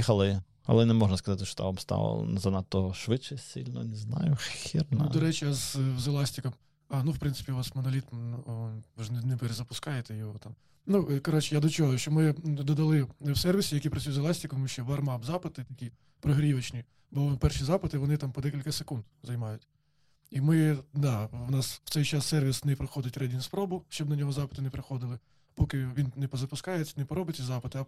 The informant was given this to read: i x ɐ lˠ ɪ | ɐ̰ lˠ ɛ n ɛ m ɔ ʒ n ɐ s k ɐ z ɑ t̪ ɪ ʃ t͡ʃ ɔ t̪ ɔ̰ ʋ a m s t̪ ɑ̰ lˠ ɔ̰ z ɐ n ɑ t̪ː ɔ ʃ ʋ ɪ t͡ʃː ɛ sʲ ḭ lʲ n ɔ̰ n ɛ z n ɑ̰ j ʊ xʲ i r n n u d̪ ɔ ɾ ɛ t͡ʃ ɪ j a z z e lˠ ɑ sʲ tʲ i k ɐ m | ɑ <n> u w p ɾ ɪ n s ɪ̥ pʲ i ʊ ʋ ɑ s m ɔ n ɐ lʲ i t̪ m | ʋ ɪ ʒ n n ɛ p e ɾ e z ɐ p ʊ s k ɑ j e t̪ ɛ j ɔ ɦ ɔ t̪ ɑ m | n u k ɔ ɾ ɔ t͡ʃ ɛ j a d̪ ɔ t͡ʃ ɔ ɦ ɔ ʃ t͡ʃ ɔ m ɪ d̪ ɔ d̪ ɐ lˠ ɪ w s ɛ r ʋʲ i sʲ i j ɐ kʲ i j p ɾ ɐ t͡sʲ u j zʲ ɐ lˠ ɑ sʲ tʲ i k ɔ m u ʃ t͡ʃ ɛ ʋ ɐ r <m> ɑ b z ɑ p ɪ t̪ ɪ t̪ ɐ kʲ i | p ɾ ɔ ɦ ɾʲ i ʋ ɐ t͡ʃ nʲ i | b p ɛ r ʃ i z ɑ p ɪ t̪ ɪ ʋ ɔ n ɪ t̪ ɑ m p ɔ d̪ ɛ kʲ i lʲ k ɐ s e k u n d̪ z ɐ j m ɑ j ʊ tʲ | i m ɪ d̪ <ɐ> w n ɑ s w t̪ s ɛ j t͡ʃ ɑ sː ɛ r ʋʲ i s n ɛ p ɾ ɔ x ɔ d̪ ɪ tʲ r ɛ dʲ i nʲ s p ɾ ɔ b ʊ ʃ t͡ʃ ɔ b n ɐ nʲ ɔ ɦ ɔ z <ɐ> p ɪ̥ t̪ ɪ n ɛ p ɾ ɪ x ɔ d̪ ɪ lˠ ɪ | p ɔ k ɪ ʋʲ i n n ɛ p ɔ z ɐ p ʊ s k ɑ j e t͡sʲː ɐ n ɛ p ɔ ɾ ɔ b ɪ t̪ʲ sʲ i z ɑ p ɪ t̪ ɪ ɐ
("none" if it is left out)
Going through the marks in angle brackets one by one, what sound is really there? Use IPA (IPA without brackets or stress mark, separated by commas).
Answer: n, m, ɑ, ɑ